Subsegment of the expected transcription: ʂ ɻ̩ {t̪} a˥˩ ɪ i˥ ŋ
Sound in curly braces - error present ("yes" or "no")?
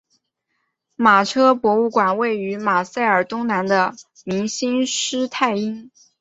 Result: yes